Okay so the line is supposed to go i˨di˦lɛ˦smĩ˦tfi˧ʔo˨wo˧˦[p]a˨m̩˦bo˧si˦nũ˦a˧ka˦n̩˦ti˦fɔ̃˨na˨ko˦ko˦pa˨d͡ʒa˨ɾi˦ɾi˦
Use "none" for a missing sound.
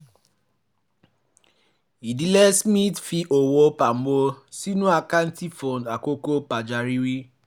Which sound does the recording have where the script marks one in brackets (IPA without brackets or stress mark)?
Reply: p